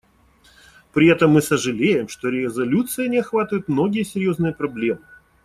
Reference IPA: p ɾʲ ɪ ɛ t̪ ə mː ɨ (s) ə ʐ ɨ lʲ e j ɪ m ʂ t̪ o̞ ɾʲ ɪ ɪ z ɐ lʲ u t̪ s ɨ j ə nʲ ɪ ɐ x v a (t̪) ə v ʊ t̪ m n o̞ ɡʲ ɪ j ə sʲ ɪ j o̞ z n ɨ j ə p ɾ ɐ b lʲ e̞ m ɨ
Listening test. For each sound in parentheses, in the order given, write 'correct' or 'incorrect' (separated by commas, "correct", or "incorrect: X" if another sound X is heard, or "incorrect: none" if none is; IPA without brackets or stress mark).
correct, correct